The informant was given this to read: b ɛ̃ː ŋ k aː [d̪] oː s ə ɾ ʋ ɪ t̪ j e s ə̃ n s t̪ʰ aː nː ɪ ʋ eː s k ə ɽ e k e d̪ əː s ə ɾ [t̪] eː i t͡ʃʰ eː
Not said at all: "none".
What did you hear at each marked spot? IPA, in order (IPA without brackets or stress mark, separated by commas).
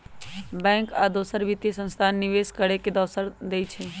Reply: d̪, d̪